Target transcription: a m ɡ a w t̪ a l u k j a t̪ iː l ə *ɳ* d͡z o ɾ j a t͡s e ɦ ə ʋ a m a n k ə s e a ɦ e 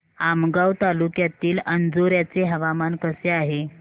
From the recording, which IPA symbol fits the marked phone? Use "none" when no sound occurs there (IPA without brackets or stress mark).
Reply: n